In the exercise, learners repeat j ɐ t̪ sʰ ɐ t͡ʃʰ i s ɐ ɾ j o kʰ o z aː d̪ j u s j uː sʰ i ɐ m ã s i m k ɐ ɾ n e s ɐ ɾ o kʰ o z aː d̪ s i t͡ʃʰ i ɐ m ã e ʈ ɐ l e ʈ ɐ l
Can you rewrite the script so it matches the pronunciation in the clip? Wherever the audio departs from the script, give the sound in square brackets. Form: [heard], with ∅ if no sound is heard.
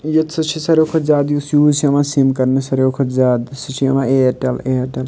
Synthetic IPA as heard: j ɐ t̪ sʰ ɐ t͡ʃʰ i s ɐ ɾ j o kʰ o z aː d̪ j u s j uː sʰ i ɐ m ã s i m k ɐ ɾ n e s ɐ ɾ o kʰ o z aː d̪ s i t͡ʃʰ i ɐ m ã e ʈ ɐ l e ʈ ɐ l

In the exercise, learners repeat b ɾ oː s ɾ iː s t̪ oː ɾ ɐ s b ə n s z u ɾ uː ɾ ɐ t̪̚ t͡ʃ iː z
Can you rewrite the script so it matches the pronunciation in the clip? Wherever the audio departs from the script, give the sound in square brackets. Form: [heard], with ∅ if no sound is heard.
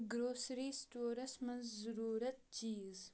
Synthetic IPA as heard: [ɡ] ɾ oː s ɾ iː s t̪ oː ɾ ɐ s [m] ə n [z] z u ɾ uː ɾ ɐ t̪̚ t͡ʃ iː z

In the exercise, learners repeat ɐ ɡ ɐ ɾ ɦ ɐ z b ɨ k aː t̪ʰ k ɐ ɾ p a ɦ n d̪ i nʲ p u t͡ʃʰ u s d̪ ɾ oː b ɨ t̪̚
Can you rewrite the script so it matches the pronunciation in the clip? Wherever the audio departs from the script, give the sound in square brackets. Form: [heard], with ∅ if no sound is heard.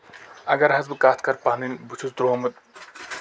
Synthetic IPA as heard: ɐ ɡ ɐ ɾ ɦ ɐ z b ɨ k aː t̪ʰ k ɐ ɾ p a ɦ n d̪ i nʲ [b] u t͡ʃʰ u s d̪ ɾ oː [m] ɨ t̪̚

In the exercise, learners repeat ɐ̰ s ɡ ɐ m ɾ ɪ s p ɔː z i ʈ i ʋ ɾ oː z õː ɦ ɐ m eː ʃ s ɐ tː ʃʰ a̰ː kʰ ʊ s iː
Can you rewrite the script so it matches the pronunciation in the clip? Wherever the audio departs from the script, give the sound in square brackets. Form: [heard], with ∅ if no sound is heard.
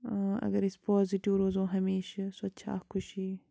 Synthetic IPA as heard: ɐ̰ [∅] ɡ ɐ [∅] ɾ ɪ s p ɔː z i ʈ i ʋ ɾ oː z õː ɦ ɐ m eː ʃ s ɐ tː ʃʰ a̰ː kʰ ʊ [ʃ] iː

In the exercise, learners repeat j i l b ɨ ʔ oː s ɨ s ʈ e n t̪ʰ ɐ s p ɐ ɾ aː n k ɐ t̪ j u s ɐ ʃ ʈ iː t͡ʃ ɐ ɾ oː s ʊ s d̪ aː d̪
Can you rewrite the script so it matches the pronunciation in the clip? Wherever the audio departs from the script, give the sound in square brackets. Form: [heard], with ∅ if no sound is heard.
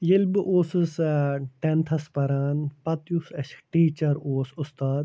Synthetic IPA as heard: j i l b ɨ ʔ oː s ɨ s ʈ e n t̪ʰ ɐ s p ɐ ɾ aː n [p] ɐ t̪ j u s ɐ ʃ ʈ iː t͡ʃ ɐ ɾ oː s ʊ s [t̪] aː d̪

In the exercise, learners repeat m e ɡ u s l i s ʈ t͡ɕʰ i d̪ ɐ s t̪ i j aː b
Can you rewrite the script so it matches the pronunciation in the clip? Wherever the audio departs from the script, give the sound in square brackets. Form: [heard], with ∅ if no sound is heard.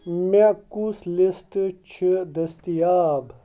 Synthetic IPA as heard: m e [k] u s l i s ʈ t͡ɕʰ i d̪ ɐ s t̪ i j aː b

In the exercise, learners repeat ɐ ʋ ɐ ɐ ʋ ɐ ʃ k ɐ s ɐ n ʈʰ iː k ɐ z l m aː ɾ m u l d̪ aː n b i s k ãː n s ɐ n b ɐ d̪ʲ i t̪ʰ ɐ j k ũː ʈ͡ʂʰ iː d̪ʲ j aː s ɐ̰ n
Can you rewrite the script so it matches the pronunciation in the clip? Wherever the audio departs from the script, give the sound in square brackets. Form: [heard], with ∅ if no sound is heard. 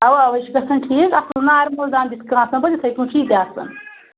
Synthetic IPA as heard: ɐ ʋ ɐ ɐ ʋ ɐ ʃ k ɐ s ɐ n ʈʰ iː k ɐ [s] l [n] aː ɾ m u l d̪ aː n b i s k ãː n s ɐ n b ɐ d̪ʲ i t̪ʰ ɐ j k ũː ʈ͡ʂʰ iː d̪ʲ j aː s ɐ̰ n

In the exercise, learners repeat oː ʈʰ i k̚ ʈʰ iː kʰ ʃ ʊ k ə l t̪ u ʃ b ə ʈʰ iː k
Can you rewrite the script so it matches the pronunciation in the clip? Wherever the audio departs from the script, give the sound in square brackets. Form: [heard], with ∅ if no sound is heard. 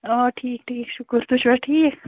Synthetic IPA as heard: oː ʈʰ [iː] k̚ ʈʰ iː [k] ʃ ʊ k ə [ɾ] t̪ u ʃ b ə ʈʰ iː k

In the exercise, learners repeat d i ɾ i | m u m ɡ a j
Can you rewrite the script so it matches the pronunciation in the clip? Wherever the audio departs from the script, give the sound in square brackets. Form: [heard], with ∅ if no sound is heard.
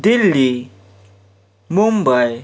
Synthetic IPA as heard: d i [l] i | m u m [b] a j

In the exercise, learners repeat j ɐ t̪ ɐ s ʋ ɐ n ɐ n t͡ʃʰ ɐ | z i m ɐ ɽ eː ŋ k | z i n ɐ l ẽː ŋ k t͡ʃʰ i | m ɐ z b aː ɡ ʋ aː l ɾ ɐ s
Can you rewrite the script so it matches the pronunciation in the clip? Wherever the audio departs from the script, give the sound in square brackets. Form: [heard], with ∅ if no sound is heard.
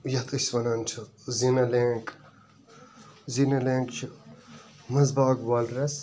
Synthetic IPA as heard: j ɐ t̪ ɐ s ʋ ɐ n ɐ n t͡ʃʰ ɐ | z i [n] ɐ [l] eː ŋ k | z i n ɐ l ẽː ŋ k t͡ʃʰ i | m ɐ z b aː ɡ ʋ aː l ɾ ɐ s

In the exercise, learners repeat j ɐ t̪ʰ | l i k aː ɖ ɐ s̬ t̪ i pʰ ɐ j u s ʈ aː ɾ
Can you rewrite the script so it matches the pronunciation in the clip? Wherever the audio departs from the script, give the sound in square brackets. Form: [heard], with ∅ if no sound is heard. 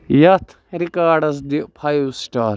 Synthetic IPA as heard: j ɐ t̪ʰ | [ɾ] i k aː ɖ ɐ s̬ [d̪] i pʰ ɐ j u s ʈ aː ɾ

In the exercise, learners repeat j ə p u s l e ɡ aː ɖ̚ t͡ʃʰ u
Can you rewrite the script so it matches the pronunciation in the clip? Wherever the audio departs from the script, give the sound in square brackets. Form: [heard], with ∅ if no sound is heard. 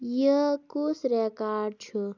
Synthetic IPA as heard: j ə [k] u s [ɾ] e [k] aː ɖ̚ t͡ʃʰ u

